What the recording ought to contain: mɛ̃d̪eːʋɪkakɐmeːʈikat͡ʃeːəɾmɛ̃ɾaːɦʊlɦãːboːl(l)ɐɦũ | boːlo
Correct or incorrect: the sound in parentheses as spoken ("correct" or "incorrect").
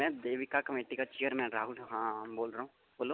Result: incorrect